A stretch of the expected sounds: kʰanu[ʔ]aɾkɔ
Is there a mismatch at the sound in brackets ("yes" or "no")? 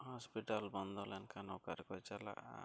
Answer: yes